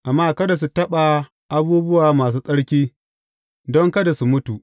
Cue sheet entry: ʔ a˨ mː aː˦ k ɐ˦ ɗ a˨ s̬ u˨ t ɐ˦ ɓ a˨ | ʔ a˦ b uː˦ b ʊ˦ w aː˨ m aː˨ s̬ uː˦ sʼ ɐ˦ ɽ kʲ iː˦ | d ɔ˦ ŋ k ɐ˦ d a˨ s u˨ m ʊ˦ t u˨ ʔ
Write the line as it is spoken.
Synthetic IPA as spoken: ʔ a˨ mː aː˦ k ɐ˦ d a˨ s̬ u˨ t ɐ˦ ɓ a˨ | ʔ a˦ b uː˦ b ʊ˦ w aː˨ m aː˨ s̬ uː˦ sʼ ɐ˦ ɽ kʲ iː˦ | d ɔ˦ ŋ k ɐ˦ d a˨ s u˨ m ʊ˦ t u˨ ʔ